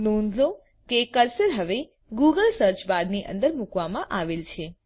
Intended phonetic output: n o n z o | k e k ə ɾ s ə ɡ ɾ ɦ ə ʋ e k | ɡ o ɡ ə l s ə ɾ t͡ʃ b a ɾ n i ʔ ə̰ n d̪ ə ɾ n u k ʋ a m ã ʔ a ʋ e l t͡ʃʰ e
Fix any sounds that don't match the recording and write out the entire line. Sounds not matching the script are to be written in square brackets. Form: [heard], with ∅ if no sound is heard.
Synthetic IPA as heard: n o n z o | k e k ə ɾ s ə [∅] ɾ ɦ ə ʋ e [∅] | ɡ [u] ɡ ə l s ə ɾ t͡ʃ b a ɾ n i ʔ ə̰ n d̪ ə ɾ [m] u k ʋ a m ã ʔ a ʋ e l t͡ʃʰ e